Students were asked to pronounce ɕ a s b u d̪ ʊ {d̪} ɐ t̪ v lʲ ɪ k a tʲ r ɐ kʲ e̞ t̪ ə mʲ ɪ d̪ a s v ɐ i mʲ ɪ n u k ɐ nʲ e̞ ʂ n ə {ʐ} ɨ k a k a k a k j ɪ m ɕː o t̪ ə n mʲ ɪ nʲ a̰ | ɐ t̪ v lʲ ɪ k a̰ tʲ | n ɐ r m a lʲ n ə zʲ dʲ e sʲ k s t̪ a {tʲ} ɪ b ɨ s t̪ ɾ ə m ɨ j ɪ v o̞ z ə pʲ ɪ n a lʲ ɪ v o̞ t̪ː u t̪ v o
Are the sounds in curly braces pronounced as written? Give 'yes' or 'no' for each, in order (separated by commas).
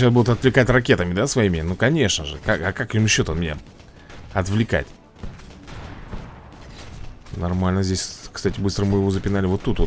no, yes, yes